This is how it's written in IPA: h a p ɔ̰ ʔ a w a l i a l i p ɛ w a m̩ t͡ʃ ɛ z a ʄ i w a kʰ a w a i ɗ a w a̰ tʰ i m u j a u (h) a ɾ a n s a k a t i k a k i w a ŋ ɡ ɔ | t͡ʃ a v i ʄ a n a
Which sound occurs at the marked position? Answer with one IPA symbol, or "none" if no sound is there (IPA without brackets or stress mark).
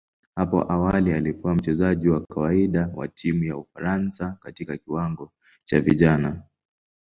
f